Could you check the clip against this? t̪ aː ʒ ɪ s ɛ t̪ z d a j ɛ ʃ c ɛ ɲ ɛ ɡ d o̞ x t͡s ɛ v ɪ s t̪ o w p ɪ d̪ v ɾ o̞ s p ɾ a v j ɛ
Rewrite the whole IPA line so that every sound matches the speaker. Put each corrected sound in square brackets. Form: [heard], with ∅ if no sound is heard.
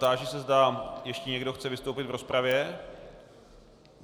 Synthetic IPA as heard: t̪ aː ʒ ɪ s ɛ [∅] z d a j ɛ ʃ c ɛ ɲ ɛ ɡ d o̞ x t͡s ɛ v ɪ s t̪ o w p ɪ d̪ v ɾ o̞ s p ɾ a v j ɛ